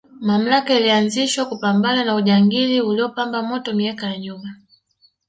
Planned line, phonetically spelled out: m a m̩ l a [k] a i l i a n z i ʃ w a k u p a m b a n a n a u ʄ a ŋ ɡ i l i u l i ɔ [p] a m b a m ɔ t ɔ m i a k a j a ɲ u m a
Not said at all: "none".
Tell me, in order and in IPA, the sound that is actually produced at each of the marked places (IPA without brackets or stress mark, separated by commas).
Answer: k, p